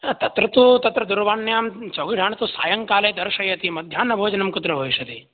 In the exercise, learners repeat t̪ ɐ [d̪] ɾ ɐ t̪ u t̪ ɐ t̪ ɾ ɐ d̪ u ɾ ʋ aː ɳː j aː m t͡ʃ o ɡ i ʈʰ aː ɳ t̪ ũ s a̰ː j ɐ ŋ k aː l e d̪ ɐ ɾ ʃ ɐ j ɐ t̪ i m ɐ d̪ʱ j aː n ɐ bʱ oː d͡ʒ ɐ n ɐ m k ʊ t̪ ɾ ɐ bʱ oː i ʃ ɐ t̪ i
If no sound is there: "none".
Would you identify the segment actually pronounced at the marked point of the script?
t̪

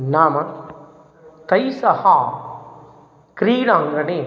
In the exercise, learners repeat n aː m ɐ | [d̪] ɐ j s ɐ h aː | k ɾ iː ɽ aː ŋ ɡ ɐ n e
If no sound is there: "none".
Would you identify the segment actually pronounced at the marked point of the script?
t̪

